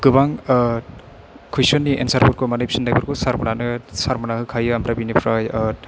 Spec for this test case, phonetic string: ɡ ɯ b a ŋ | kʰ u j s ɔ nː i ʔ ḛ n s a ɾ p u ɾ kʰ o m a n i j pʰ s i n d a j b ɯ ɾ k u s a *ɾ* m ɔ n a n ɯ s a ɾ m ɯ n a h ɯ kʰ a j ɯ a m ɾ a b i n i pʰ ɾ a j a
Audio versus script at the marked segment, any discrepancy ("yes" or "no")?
no